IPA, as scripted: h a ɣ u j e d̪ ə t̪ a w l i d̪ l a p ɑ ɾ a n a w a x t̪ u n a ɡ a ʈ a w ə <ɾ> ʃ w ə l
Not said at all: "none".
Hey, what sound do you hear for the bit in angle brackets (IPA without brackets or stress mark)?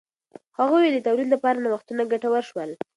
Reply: ɾ